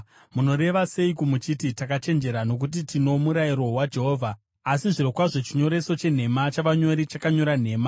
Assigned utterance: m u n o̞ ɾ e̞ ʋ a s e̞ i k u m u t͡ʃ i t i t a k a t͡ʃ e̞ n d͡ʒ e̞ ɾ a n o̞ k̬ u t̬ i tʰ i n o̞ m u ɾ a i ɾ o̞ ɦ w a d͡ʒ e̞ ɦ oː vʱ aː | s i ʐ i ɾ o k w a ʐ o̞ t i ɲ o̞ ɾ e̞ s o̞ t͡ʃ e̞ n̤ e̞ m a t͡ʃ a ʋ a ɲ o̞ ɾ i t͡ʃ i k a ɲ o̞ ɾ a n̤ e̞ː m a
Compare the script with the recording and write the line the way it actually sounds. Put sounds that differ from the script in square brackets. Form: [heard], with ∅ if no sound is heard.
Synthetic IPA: m u n o̞ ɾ e̞ ʋ a s e̞ i k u m u t͡ʃ i t i t a k a t͡ʃ e̞ n d͡ʒ e̞ ɾ a n o̞ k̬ u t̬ i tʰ i n o̞ m u ɾ a i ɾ o̞ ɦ w a d͡ʒ e̞ ɦ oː vʱ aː | s i ʐ i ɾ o k w a ʐ o̞ [t͡ʃ] i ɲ o̞ ɾ e̞ s o̞ t͡ʃ e̞ n̤ e̞ m a t͡ʃ a ʋ a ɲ o̞ ɾ i t͡ʃ [a] k a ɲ o̞ ɾ a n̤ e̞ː m a